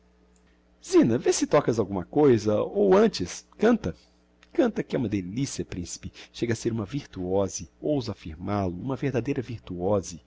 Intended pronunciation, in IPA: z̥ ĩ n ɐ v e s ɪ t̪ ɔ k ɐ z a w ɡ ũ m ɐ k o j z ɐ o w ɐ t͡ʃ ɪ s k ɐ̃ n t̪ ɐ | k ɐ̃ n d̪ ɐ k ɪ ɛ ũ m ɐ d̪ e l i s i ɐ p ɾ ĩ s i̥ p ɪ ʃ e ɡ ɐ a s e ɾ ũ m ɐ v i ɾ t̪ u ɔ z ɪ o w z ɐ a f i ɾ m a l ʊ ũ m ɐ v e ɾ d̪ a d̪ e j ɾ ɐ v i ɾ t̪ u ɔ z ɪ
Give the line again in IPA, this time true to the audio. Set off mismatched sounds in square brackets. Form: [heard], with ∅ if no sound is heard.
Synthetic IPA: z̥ ĩ n ɐ v e s ɪ t̪ ɔ k ɐ z a w ɡ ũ m ɐ k o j z ɐ o w [ɐ̃] t͡ʃ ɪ s k ɐ̃ n t̪ ɐ | k ɐ̃ n [t̪] ɐ k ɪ ɛ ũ m ɐ d̪ e l i s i ɐ p ɾ ĩ s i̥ p ɪ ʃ e ɡ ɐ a s e ɾ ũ m ɐ v i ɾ t̪ u ɔ z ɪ o w z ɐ a f i ɾ m a l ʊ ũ m ɐ v e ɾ d̪ a d̪ e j ɾ ɐ v i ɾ t̪ u ɔ z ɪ